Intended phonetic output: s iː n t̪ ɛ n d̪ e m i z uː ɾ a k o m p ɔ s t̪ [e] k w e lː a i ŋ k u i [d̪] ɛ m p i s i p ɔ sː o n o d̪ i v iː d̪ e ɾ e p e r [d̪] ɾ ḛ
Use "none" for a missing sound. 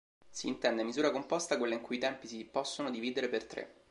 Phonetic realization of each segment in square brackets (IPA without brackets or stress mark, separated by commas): a, t̪, t̪